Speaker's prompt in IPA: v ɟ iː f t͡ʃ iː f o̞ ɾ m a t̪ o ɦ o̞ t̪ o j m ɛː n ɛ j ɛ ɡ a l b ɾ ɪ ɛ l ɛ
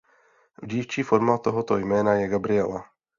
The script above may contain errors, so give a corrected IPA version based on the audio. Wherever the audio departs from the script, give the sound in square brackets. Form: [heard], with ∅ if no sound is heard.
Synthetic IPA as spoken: v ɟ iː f t͡ʃ iː f o̞ ɾ m a t̪ o ɦ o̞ t̪ o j m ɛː n [a] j ɛ ɡ a [∅] b ɾ ɪ ɛ l [a]